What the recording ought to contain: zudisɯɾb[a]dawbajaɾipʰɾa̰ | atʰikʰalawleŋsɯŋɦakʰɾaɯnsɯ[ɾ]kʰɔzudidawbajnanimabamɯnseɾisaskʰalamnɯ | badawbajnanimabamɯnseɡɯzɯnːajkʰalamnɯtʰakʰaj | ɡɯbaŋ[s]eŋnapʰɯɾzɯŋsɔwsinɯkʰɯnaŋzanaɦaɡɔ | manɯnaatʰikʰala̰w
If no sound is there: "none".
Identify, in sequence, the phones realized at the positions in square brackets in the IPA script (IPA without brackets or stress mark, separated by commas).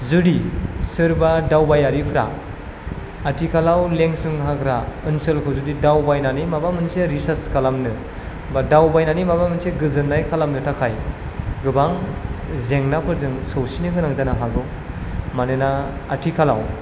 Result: a, l, z